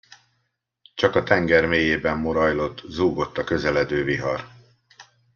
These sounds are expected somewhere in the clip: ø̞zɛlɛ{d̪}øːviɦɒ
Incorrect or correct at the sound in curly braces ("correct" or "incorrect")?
correct